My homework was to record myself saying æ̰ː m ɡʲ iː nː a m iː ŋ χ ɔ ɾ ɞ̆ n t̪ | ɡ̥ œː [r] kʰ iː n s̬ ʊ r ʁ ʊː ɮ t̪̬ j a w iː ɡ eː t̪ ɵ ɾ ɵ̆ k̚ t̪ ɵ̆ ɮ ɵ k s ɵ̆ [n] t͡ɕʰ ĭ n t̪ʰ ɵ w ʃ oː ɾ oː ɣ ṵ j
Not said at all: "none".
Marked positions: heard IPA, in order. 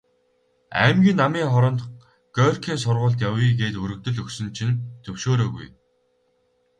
r, n

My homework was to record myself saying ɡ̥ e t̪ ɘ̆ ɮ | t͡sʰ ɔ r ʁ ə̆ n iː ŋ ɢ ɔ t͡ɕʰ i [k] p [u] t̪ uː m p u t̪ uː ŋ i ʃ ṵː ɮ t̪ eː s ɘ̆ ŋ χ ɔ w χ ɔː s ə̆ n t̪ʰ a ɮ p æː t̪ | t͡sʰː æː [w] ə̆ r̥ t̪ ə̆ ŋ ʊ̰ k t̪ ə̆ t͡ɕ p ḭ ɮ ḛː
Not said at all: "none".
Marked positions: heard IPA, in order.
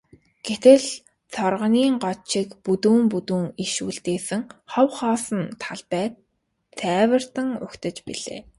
k, u, w

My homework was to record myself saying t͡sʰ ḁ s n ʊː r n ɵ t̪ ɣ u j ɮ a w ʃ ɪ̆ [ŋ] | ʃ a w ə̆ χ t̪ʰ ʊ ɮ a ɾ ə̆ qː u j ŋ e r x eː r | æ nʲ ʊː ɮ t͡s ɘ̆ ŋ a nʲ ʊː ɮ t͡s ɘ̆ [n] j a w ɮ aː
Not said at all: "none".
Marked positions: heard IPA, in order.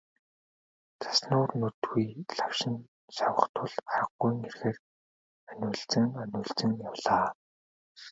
n, ŋ

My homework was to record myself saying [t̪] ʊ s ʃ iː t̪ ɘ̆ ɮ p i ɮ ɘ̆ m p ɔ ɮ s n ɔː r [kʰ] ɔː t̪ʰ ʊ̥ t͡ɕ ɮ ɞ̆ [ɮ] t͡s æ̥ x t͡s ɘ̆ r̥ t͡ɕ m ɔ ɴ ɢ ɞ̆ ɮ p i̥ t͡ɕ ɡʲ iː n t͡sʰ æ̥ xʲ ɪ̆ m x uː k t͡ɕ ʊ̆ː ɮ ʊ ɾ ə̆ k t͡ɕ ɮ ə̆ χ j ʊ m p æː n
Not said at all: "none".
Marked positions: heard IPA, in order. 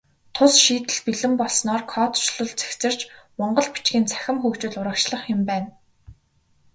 t̪ʰ, kʰ, ɮ

